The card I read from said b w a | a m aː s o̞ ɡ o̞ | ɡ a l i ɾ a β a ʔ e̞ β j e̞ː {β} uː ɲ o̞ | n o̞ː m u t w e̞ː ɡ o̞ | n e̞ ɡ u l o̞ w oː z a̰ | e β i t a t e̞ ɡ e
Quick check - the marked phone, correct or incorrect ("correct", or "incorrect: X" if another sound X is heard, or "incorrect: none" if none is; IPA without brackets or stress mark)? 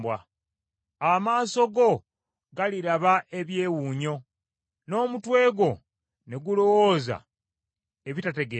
incorrect: w